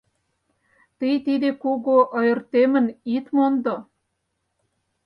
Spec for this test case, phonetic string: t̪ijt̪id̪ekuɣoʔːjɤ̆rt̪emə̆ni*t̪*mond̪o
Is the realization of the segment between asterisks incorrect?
no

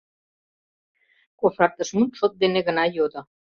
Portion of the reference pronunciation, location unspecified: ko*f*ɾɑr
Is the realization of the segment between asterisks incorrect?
no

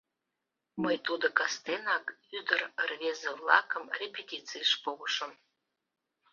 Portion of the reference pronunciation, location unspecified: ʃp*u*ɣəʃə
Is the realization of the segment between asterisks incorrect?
yes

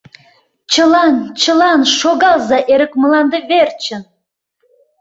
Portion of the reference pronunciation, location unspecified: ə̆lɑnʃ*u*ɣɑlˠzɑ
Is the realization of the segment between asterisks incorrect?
yes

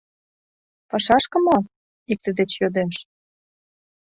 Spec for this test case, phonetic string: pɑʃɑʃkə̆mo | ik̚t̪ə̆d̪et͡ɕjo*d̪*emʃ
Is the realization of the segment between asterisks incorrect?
no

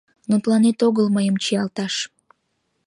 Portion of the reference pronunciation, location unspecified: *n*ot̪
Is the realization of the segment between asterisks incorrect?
no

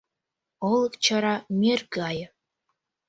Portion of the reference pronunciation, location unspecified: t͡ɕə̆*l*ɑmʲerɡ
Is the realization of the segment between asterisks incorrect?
yes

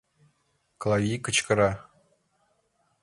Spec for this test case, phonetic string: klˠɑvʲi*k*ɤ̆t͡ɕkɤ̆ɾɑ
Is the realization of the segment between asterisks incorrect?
no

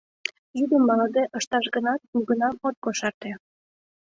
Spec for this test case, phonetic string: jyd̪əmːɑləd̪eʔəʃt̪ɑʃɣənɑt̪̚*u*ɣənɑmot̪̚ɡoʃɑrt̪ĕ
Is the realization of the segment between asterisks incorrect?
no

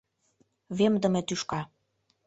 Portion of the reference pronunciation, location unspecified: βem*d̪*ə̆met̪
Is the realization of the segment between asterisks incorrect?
no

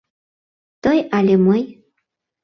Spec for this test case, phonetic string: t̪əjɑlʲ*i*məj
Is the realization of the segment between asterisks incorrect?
yes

